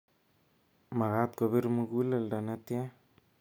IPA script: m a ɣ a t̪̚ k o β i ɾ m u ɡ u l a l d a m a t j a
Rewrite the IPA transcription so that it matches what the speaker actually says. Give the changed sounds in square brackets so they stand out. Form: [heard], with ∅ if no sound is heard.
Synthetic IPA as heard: m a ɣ a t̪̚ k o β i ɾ m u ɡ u l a l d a [n] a t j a